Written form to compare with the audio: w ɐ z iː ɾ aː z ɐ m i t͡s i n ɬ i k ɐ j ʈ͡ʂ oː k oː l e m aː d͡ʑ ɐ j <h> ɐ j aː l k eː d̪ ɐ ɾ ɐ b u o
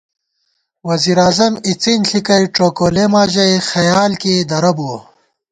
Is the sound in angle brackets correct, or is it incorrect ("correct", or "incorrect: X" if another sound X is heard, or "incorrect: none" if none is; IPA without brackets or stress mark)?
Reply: incorrect: x